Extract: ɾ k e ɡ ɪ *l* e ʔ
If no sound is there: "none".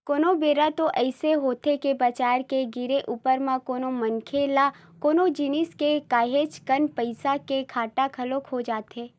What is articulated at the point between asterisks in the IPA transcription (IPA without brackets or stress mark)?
ɾ